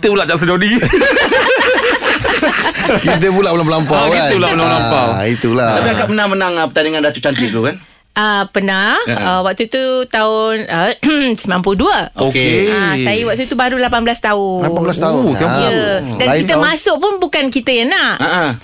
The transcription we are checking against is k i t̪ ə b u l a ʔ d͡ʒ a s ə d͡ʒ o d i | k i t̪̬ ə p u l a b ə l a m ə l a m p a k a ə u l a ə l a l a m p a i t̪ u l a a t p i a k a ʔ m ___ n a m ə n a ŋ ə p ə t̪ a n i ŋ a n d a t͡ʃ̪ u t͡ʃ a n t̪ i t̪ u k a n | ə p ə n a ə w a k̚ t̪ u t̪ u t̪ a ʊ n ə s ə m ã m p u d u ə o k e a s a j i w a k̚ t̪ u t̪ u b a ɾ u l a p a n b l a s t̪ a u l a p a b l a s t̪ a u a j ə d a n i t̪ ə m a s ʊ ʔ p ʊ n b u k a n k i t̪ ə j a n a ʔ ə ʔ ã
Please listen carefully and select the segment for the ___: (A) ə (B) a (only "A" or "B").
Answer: A